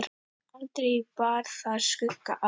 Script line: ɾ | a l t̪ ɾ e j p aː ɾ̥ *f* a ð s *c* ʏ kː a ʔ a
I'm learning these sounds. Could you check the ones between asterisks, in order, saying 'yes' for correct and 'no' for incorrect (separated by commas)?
no, no